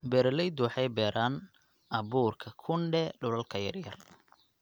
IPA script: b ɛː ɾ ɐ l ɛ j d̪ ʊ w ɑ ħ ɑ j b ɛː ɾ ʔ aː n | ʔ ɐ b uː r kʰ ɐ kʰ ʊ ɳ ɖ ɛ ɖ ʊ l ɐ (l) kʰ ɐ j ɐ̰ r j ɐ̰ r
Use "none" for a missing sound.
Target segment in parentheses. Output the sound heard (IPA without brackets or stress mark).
l